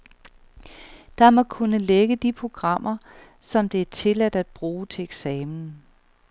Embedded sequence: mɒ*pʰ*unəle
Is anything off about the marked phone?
yes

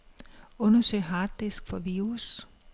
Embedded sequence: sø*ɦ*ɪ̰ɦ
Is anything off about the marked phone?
yes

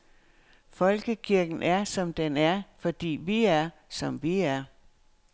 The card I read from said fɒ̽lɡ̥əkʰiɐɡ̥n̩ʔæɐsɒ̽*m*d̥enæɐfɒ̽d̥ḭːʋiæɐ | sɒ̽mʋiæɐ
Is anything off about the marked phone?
no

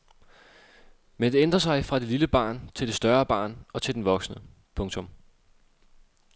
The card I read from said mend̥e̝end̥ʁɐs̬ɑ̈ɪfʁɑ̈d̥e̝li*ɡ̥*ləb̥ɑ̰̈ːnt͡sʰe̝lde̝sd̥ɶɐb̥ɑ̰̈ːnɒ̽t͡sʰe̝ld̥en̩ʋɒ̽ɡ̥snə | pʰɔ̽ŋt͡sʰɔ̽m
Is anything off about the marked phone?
yes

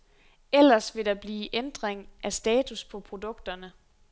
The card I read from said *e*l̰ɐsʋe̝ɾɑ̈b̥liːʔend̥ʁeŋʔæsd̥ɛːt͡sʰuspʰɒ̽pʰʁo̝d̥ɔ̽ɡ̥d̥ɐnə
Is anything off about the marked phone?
no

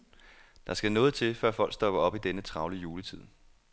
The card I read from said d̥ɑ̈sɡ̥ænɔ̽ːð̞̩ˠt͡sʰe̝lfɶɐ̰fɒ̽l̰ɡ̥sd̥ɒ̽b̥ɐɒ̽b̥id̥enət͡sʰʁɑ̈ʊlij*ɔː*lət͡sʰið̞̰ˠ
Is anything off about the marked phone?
yes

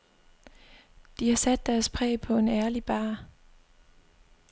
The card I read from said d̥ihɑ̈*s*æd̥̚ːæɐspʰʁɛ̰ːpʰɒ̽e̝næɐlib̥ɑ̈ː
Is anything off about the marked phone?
no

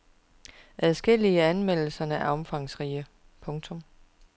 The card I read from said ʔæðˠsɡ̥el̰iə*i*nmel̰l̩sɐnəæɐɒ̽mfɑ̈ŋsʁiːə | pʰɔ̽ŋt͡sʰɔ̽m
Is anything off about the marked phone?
yes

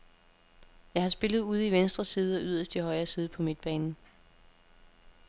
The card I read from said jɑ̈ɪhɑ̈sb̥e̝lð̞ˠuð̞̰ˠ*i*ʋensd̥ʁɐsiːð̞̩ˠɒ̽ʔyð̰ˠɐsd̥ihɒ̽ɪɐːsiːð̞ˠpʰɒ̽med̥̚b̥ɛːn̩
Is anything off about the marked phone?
no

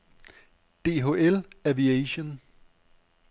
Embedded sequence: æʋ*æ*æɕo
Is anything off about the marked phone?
yes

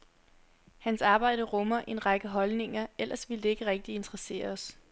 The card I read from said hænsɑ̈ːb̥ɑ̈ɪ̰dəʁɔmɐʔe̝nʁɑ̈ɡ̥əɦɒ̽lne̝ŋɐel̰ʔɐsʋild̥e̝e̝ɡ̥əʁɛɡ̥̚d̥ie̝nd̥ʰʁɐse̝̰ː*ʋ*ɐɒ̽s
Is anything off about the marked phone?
yes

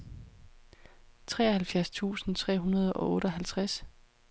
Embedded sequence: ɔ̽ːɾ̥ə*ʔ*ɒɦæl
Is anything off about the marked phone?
yes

